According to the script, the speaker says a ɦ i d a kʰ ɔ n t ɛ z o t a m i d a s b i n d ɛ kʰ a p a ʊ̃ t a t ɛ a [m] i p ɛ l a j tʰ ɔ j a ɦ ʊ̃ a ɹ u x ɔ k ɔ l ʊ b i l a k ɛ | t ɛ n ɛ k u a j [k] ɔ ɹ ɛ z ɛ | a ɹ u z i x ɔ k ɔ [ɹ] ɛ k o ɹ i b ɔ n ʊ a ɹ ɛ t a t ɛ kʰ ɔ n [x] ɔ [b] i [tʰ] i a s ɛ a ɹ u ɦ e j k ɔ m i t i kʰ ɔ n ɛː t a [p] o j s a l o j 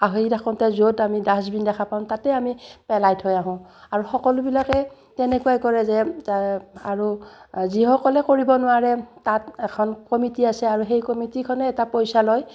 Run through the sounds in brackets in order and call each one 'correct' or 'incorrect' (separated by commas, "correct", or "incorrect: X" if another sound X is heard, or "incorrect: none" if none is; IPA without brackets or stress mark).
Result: correct, correct, incorrect: l, incorrect: k, incorrect: m, incorrect: t, correct